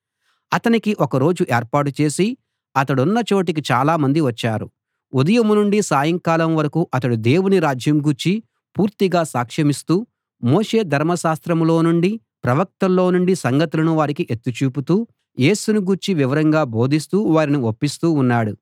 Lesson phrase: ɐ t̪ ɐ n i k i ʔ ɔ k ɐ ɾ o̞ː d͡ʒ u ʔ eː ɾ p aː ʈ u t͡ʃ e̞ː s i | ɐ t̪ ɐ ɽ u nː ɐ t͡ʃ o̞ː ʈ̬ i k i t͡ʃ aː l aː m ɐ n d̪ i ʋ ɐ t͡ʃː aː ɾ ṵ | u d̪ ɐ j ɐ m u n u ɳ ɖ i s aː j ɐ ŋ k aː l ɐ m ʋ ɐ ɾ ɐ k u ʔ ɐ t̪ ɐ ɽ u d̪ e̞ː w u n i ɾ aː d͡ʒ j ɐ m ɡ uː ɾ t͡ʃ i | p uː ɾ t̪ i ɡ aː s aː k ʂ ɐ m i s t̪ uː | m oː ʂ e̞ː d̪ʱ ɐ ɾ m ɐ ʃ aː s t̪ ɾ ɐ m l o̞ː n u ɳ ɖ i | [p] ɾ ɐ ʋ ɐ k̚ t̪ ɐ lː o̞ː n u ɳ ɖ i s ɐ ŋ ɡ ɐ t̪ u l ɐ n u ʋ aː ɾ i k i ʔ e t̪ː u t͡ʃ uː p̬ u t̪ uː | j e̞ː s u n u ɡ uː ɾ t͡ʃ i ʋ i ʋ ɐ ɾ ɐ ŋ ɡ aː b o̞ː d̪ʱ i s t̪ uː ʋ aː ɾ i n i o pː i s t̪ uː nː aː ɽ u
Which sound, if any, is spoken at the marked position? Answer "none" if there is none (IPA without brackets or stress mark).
p